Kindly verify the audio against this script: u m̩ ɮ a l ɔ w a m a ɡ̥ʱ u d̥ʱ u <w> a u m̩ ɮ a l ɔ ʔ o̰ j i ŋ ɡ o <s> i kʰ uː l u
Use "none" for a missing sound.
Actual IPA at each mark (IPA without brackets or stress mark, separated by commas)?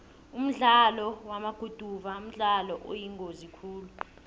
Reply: v, z